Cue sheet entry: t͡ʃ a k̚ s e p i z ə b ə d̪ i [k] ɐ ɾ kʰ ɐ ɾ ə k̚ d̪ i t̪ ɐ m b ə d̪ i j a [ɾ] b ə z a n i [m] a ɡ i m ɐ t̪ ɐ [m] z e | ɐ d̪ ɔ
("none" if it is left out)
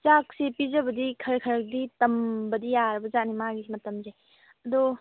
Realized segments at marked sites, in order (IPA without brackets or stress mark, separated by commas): kʰ, ɾ, m, m